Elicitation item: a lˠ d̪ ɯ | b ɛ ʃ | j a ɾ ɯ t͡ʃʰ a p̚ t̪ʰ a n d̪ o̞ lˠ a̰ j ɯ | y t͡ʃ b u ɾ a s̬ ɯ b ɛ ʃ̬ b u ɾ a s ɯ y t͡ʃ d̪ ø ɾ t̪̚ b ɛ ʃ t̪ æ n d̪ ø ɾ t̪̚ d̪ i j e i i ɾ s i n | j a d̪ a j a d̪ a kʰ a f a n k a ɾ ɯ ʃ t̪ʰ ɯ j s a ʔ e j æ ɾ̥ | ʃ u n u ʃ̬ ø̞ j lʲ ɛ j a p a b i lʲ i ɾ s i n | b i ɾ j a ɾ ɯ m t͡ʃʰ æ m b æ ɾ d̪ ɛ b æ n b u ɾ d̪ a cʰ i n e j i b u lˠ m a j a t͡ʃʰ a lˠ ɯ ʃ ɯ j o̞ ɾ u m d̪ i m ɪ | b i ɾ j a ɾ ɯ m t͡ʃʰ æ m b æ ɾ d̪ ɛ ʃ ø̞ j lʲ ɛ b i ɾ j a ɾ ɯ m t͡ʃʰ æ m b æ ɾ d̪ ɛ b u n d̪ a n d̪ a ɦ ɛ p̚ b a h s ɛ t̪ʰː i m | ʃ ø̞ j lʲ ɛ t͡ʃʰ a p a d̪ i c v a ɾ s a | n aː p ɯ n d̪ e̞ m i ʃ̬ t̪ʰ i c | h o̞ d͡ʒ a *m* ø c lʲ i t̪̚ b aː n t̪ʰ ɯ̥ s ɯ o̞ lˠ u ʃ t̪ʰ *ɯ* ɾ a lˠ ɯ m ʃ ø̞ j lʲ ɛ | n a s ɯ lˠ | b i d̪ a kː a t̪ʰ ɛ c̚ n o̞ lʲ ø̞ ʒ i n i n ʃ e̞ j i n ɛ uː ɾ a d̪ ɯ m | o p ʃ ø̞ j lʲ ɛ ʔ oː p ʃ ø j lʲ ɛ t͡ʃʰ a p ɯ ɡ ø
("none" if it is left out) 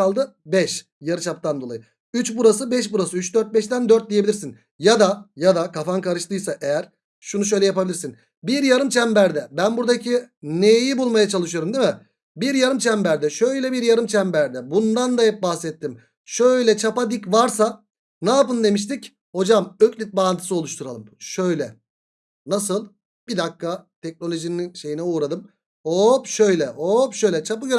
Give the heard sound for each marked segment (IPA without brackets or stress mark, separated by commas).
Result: m, u